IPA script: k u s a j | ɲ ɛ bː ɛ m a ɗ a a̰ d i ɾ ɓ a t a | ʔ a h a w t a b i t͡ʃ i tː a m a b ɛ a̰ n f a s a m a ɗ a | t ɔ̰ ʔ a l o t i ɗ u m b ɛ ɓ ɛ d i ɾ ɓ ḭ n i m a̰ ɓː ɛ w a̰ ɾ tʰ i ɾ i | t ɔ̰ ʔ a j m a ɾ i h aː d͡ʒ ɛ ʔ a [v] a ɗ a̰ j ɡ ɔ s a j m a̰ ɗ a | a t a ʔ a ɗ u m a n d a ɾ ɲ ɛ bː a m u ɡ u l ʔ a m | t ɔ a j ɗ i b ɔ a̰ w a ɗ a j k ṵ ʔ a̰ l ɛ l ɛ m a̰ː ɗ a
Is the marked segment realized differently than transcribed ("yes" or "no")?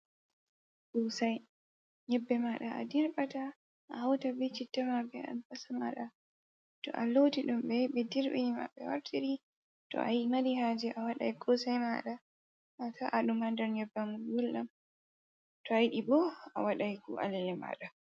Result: yes